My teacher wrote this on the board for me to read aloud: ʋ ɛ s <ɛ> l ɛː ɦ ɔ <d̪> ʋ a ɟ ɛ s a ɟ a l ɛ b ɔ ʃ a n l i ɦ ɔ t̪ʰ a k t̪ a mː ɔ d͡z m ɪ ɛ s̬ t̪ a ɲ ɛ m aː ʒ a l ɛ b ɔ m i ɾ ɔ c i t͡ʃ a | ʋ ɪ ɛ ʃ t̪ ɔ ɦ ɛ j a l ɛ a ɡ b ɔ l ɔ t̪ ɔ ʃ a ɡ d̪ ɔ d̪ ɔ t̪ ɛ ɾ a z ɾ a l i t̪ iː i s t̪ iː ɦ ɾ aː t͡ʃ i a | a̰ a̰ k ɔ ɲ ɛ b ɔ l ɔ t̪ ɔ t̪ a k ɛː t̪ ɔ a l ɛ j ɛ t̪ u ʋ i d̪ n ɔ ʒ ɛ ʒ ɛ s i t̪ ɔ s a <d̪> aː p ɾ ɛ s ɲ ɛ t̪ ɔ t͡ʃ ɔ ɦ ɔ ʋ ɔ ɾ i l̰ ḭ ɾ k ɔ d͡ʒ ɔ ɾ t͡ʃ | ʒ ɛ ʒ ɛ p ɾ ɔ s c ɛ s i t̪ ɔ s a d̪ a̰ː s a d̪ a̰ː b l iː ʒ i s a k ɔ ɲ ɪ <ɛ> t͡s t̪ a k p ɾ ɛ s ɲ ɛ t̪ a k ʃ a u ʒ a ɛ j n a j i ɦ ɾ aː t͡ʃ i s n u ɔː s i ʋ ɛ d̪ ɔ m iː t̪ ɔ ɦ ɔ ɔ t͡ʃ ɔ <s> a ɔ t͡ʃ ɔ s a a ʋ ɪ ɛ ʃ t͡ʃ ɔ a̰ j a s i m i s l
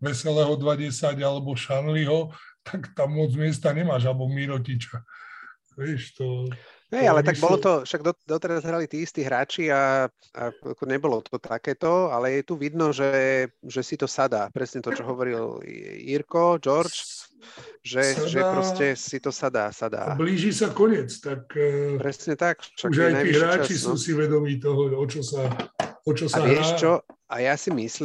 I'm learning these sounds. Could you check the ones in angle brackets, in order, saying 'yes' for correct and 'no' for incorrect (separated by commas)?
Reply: yes, yes, yes, yes, yes